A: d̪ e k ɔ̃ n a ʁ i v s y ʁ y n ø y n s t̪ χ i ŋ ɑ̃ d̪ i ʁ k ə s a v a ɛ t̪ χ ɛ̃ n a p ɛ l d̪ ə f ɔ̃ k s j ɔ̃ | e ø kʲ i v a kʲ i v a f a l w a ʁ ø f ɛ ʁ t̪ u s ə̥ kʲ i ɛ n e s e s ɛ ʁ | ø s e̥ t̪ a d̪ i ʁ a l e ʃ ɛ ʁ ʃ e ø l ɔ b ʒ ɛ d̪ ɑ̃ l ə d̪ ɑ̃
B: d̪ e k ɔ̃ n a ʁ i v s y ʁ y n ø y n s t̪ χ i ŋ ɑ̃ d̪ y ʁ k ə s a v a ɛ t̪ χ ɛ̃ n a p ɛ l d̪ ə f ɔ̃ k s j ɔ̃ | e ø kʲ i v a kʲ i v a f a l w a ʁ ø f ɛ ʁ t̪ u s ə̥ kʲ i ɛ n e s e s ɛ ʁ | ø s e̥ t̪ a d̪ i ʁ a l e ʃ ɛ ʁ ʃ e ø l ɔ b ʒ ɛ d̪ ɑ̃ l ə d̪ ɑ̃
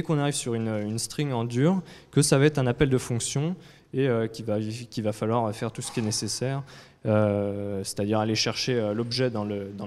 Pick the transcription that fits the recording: B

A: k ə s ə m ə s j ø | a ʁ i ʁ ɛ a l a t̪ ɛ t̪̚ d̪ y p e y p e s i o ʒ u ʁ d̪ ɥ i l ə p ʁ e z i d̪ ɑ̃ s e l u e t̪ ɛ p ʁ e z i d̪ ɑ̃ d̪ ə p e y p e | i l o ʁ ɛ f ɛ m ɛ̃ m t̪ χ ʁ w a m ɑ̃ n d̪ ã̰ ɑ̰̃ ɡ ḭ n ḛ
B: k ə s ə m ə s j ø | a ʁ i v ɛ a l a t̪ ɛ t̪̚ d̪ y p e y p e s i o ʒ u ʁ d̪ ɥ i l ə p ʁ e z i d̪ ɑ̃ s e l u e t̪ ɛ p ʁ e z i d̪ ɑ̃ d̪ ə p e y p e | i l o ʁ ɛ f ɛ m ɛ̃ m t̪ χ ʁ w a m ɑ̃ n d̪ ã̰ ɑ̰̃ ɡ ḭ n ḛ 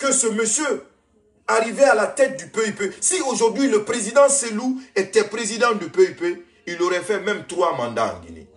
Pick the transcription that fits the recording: B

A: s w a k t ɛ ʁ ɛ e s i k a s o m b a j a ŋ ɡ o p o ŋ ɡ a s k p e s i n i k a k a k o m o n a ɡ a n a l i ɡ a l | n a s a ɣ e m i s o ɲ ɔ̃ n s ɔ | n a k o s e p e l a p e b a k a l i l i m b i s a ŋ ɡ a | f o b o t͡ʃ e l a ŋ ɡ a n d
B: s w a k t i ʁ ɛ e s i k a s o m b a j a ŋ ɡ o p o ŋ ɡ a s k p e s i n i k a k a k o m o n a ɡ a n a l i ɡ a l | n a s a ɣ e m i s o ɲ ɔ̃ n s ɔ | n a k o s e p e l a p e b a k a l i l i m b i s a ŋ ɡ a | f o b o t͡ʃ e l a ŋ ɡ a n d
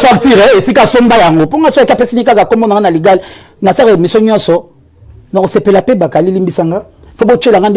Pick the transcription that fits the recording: B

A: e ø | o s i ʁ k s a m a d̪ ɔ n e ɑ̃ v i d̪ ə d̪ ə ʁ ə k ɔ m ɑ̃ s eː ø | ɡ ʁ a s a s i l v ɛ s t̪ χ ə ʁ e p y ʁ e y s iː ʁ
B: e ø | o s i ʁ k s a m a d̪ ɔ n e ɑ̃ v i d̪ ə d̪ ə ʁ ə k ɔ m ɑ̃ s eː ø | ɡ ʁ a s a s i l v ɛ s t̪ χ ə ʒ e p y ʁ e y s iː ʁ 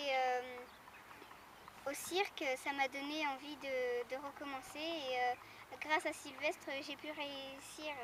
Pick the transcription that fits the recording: B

